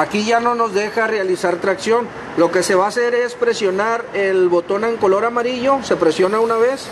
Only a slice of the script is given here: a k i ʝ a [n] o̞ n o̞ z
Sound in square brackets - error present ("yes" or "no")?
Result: no